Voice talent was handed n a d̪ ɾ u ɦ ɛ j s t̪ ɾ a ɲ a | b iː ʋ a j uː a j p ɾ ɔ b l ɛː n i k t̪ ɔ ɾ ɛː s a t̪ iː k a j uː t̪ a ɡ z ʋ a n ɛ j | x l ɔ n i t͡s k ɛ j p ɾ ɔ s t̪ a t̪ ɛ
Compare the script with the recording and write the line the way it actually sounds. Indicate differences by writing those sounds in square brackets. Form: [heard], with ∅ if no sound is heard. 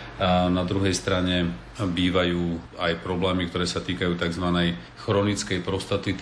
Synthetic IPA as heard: n a d̪ ɾ u ɦ ɛ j s t̪ ɾ a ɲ [ɛ] | b iː ʋ a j uː a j p ɾ ɔ b l ɛː [m] i k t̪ ɔ ɾ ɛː s a t̪ iː k a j uː t̪ a ɡ z ʋ a n ɛ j | x [ɾ] ɔ n i t͡s k ɛ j p ɾ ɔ s t̪ a t̪ [i]